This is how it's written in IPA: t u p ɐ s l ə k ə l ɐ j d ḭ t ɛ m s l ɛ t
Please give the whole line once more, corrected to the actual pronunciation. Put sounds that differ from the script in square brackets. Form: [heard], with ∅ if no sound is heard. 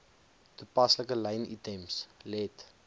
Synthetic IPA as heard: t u p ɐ s l ə k ə l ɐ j [n] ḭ t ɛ m s l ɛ t